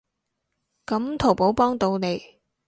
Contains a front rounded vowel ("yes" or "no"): no